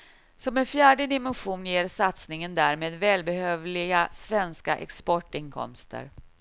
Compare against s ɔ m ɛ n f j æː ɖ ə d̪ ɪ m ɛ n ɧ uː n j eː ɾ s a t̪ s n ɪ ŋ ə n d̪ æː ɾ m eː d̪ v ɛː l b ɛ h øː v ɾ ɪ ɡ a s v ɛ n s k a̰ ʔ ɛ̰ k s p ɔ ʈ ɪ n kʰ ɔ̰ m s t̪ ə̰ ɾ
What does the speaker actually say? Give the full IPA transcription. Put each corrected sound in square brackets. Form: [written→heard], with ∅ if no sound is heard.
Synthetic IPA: s ɔ m ɛ n f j æː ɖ ə d̪ ɪ m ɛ n ɧ uː n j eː ɾ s a t̪ s n ɪ ŋ ə n d̪ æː ɾ m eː d̪ v ɛː l b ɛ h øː v [ɾ→l] ɪ ɡ a s v ɛ n s k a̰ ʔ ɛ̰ k s p ɔ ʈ ɪ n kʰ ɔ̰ m s t̪ ə̰ ɾ